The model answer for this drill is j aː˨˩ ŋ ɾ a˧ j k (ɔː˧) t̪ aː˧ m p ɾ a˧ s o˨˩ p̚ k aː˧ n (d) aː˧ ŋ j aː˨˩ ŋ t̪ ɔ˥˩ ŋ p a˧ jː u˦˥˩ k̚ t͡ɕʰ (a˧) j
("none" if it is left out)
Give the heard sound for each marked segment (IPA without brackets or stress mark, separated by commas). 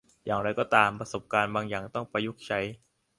ɔː˥˩, b, a˦˥